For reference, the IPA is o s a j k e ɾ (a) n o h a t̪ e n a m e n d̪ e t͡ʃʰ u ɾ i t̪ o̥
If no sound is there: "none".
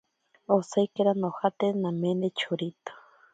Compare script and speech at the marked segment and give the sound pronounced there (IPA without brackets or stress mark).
a